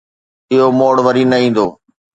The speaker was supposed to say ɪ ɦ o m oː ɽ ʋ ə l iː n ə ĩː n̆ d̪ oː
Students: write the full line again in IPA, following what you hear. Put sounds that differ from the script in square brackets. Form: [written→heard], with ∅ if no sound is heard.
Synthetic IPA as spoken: ɪ ɦ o m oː ɽ ʋ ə [l→ɾ] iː n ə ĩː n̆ d̪ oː